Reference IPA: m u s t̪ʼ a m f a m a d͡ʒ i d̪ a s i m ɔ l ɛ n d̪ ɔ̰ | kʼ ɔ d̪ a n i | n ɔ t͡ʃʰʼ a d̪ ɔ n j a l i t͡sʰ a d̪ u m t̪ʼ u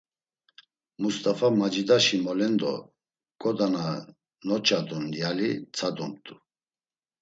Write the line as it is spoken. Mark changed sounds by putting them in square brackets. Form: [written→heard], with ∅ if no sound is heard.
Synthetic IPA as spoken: m u s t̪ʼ a [m→∅] f a m a d͡ʒ i d̪ a [s→ʃ] i m ɔ l ɛ n d̪ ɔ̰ | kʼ ɔ d̪ a n [i→a] | n ɔ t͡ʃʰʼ a d̪ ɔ n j a l i t͡sʰ a d̪ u m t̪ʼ u